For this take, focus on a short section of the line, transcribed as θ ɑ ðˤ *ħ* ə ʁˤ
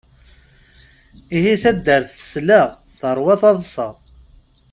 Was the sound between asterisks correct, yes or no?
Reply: no